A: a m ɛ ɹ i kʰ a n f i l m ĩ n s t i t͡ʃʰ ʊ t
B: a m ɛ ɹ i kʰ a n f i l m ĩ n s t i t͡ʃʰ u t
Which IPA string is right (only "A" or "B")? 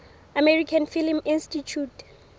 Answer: B